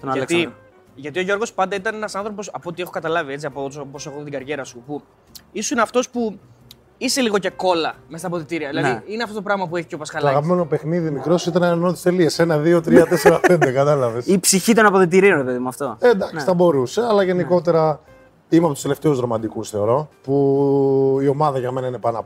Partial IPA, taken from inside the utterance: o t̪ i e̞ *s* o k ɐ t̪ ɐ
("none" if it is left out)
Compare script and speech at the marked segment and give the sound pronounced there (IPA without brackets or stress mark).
x